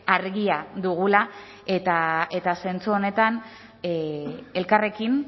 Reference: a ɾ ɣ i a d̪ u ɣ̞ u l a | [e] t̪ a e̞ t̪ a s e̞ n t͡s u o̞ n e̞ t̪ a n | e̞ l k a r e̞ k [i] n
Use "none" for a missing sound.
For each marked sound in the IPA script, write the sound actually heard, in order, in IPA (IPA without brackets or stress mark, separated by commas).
e, i